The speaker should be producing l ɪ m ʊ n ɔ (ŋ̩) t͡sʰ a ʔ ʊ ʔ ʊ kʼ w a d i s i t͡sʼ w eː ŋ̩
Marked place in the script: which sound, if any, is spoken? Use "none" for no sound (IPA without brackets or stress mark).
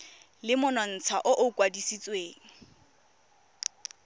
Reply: n̩